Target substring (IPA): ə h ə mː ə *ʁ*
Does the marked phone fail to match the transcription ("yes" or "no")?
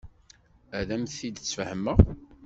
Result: no